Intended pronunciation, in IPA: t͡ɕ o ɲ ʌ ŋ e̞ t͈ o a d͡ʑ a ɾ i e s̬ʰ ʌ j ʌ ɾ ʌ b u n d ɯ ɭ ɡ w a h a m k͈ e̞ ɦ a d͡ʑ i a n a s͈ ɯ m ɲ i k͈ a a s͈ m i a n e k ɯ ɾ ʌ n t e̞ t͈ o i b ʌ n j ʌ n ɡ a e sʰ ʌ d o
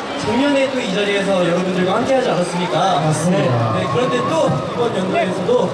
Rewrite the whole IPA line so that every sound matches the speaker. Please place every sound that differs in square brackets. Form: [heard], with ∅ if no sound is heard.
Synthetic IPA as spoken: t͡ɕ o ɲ ʌ [n] e̞ t͈ o [i] d͡ʑ a ɾ i e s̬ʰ ʌ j ʌ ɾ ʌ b u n d ɯ ɭ ɡ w a h a m k͈ e̞ ɦ a d͡ʑ i a n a s͈ ɯ m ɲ i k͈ a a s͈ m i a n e k ɯ ɾ ʌ n t e̞ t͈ o i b ʌ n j ʌ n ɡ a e sʰ ʌ d o